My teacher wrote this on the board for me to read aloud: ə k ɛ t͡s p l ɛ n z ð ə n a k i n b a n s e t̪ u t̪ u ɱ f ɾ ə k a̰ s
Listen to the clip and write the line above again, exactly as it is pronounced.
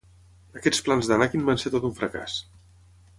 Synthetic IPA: ə k ɛ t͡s p l a n z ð ə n a k i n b a n s e t̪ o t̪ u ɱ f ɾ ə k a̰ s